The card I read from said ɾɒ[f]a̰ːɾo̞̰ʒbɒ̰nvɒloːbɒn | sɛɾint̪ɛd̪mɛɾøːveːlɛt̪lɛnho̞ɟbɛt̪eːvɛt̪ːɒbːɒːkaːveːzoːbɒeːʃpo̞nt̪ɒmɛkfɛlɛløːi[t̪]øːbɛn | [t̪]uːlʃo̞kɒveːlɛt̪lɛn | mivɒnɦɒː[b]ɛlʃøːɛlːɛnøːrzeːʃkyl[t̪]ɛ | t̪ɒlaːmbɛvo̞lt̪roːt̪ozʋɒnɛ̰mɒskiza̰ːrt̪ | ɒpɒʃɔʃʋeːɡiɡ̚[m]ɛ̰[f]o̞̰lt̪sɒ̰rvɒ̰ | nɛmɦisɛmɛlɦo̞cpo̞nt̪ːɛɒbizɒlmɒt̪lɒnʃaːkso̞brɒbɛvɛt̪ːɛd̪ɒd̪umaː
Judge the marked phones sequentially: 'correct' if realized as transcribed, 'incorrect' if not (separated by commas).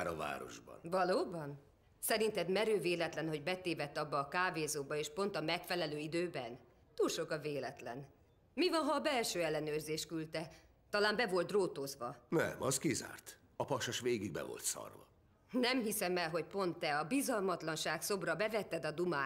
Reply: incorrect, incorrect, correct, correct, correct, incorrect, incorrect